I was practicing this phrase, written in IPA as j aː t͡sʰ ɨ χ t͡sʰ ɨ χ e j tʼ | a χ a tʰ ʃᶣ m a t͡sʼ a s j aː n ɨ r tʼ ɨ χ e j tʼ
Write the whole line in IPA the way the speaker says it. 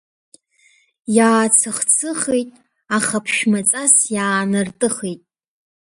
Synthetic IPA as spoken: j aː t͡sʰ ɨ χ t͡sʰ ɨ χ e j tʼ | a χ a pʰ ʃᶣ m a t͡sʼ a s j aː n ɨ r tʼ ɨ χ e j tʼ